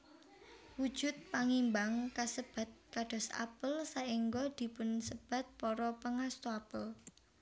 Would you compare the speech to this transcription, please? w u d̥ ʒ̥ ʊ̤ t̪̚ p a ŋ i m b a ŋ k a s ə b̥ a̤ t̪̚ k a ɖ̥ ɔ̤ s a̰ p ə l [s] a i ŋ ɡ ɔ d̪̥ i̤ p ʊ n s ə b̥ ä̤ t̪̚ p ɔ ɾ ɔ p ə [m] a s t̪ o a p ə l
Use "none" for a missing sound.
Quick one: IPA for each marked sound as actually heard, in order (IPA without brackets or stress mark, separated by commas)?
s, ŋ